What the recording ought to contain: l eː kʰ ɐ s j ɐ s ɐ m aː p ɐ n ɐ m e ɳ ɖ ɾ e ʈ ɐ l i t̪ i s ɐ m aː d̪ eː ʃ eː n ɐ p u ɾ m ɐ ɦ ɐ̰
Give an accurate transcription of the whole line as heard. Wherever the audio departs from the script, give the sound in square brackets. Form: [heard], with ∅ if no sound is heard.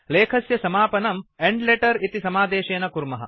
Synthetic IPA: l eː kʰ ɐ s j ɐ s ɐ m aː p ɐ n ɐ m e ɳ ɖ [l] e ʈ ɐ [ɾ] i t̪ i s ɐ m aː d̪ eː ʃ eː n ɐ [k] u ɾ m ɐ ɦ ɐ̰